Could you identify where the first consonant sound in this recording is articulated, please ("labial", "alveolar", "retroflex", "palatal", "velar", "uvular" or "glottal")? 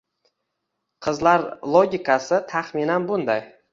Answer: uvular